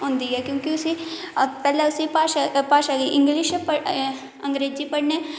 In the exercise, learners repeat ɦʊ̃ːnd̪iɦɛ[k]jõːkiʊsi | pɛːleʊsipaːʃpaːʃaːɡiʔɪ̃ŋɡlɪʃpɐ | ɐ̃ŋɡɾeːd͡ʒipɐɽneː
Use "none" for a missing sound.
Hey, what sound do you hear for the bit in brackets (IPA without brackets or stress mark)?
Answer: k